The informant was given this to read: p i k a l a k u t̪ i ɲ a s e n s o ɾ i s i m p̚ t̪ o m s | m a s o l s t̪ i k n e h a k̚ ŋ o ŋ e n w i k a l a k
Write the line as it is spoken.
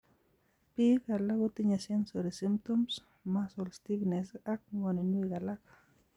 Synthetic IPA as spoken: p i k a l a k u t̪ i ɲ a s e n s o ɾ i s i m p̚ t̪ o m s | m a s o l s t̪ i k n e s a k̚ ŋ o n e n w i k a l a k